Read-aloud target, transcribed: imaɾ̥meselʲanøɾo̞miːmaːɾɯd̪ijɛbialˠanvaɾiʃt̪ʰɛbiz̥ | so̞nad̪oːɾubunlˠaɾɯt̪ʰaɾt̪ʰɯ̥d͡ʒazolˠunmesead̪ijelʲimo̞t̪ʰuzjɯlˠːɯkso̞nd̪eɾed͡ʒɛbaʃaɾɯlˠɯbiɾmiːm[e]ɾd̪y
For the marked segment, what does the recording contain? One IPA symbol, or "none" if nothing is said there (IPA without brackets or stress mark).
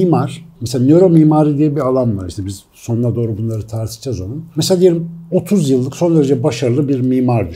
a